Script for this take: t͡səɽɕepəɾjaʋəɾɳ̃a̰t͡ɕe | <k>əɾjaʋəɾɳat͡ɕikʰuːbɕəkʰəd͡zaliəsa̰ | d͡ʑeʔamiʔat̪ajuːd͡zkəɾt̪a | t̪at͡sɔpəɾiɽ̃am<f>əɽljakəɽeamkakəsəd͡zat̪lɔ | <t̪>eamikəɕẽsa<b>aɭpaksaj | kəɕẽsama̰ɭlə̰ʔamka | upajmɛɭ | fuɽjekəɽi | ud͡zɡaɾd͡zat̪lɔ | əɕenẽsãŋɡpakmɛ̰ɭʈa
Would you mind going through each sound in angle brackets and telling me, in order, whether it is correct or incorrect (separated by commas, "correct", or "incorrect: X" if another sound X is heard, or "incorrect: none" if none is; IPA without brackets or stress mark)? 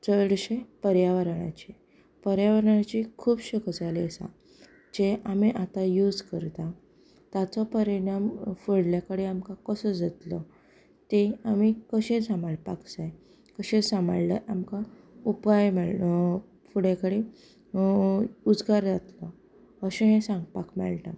incorrect: p, correct, correct, incorrect: m